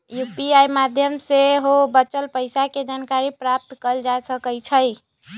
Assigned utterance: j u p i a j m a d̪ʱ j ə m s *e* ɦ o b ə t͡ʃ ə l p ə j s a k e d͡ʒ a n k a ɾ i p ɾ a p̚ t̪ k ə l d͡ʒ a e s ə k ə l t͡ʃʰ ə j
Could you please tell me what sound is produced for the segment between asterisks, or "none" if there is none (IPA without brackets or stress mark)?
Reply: e